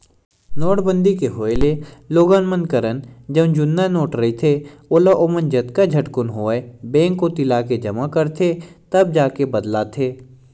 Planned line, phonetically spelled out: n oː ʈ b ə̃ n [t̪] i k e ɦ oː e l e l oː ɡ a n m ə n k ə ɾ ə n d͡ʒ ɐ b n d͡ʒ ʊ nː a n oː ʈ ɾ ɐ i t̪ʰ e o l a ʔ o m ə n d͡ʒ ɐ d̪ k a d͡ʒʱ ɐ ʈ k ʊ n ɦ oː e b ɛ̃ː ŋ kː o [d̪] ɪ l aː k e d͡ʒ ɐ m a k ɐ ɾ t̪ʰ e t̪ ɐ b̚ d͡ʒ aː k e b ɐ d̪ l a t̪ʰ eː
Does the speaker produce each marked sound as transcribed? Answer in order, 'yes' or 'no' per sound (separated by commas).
no, no